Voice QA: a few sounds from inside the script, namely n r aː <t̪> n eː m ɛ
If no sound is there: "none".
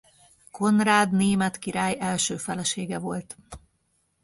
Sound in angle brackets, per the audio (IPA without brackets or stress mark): d̪